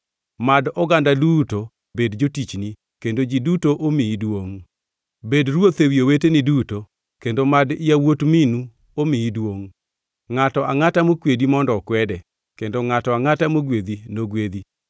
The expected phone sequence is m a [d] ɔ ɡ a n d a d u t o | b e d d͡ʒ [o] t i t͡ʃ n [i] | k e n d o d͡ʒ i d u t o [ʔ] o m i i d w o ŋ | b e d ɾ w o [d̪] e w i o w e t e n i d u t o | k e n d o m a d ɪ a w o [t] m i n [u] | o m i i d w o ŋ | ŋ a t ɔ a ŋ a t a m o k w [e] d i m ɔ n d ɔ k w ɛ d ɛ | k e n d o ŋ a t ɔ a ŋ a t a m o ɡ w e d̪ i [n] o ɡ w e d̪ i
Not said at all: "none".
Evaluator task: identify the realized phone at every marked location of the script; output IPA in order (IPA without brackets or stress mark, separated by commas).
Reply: d, o, i, ʔ, t̪, t, u, e, n